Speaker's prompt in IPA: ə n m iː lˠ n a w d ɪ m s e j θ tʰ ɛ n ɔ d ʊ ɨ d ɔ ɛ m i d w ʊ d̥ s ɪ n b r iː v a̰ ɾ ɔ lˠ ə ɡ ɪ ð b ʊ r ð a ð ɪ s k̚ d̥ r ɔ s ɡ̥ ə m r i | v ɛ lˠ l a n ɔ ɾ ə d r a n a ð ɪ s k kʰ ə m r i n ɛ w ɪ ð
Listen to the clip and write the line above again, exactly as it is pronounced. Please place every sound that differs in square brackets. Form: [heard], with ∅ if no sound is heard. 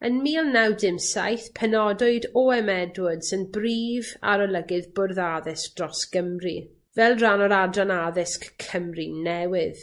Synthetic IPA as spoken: ə n m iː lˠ n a w d ɪ m s [a] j θ [pʰ] ɛ n ɔ d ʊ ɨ d ɔ ɛ m [ɛ] d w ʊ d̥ s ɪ n b r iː v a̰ ɾ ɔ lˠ ə ɡ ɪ ð b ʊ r ð a ð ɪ s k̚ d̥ r ɔ s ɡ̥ ə m r i | v ɛ lˠ [r] a n ɔ ɾ [a] d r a n a ð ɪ s k kʰ ə m r i n ɛ w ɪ ð